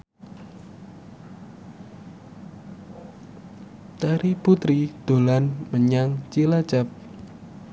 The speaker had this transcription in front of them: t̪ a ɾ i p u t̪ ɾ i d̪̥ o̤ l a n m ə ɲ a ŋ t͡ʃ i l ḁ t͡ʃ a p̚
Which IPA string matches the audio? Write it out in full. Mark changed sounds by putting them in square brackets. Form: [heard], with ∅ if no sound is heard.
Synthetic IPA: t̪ a ɾ i p u t̪ ɾ i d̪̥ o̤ l a n m ə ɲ a ŋ t͡ʃ i l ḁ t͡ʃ a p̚

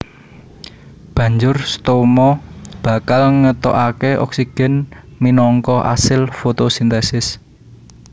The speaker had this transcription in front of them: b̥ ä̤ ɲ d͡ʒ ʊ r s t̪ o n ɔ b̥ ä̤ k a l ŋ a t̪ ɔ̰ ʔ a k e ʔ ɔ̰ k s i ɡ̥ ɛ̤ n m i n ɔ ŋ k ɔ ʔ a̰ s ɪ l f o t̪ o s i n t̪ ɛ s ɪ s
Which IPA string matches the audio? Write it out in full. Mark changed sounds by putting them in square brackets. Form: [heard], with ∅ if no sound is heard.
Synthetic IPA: b̥ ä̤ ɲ d͡ʒ ʊ r s t̪ o [m] ɔ b̥ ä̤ k a l ŋ [ə] t̪ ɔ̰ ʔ a k e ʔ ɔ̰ k s i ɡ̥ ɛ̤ n m i n ɔ ŋ k ɔ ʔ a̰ s ɪ l f o t̪ o s i n t̪ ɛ s ɪ s

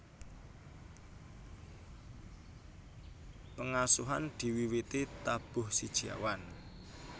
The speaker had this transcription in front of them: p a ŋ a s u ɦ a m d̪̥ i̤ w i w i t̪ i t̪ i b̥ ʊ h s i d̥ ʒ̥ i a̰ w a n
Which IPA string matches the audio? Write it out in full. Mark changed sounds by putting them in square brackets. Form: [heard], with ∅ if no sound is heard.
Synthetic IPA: p [ə] ŋ a s u ɦ a [n] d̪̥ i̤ w i w i t̪ i t̪ [a] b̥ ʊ h s i d̥ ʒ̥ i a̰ w a n

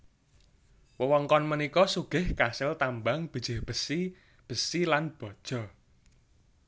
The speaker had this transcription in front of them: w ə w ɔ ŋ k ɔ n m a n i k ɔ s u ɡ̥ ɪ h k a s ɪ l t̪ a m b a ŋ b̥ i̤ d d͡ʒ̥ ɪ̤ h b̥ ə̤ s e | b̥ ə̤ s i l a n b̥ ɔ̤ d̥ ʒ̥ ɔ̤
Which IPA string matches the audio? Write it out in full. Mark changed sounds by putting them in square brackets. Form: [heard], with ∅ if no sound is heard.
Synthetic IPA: w ə w ɔ ŋ k ɔ n m [ə] n i k ɔ s u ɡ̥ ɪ h k a s ɪ l t̪ a m b a ŋ b̥ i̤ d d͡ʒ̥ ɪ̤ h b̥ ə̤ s [i] | b̥ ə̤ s i l a n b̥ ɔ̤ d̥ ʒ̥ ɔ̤

